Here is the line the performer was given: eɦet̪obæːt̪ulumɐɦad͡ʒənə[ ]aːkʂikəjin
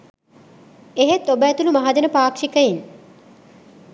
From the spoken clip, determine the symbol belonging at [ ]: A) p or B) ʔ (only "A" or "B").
A